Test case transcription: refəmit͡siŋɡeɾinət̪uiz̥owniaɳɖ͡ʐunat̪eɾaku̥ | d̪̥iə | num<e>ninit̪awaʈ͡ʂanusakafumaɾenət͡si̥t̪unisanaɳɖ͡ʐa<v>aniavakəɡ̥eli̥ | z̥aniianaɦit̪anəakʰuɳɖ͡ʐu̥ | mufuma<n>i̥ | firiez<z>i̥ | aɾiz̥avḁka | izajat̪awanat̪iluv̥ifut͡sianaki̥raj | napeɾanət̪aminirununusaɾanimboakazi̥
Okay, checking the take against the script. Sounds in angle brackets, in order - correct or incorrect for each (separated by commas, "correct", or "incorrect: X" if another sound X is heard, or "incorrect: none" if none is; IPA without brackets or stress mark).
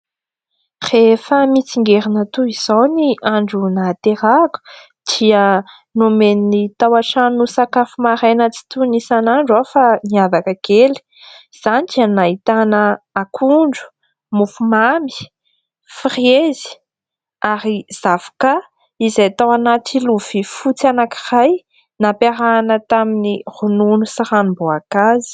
correct, incorrect: f, incorrect: m, correct